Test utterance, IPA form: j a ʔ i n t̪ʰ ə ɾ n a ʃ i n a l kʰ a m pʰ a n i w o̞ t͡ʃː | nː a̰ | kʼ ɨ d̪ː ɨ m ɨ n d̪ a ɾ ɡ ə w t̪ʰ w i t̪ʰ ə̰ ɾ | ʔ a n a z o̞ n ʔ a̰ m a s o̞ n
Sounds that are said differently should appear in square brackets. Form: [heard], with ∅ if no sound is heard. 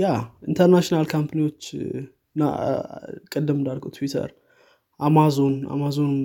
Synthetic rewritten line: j a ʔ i n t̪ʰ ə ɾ n a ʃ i n a l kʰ a m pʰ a n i w o̞ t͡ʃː | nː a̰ | kʼ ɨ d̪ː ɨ m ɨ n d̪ a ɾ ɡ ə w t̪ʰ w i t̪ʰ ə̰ ɾ | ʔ a [m] a z o̞ n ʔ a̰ m a [z] o̞ n